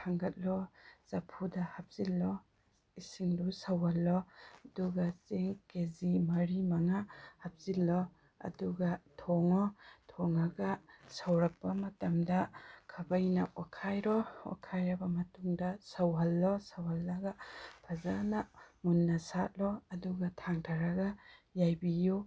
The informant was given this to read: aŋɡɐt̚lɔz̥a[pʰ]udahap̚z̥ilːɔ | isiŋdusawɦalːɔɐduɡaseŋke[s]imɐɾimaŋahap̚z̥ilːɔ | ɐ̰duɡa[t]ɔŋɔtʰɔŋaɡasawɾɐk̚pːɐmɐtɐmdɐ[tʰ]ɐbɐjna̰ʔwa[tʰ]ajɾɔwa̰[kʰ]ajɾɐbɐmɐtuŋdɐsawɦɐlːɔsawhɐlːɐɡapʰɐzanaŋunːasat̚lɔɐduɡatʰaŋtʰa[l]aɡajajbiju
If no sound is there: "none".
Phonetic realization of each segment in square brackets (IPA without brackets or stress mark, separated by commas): pʰ, z, tʰ, kʰ, kʰ, kʰ, ɾ